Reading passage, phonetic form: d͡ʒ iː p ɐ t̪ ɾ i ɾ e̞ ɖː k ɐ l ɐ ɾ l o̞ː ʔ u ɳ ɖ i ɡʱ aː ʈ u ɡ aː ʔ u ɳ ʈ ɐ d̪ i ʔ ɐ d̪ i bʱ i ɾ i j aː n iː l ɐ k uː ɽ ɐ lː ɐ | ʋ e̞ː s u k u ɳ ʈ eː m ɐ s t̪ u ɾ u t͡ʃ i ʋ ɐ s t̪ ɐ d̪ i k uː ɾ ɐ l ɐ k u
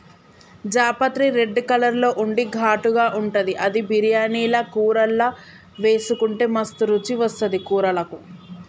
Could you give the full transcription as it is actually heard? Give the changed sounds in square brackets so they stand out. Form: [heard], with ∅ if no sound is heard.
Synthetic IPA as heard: d͡ʒ [aː] p ɐ t̪ ɾ i ɾ e̞ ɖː k ɐ l ɐ ɾ l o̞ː ʔ u ɳ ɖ i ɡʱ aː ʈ u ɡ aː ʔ u ɳ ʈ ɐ d̪ i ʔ ɐ d̪ i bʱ i ɾ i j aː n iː l ɐ k uː [ɾ] ɐ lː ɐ | ʋ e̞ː s u k u ɳ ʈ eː m ɐ s t̪ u ɾ u t͡ʃ i ʋ ɐ s t̪ ɐ d̪ i k uː ɾ ɐ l ɐ k u